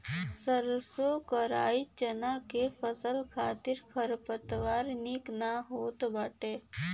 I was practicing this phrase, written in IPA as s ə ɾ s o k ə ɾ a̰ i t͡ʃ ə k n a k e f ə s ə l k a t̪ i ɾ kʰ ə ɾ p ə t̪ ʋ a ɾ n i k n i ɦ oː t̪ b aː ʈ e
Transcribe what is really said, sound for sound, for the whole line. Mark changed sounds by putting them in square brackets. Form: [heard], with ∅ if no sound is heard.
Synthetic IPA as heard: s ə ɾ s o k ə ɾ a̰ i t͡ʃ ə [∅] n a k e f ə s ə l [kʰ] a t̪ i ɾ kʰ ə ɾ p ə t̪ ʋ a ɾ n i k n [a] ɦ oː t̪ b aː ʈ e